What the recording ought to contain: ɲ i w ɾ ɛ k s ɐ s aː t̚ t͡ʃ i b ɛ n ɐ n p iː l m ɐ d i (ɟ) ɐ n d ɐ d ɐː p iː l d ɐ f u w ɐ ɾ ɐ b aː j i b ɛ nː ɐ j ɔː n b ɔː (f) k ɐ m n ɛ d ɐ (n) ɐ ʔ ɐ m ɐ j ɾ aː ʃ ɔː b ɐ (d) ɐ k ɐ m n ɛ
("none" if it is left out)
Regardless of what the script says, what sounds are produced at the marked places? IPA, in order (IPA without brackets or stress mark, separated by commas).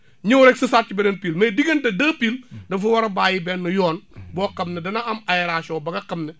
ɡ, none, n, ɡ